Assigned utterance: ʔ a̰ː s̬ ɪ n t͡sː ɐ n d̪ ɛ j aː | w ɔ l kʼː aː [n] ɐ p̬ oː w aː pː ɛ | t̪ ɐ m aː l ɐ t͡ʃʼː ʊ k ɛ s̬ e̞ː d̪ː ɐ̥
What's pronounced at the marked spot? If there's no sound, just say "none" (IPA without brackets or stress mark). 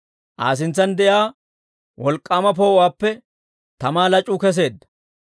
m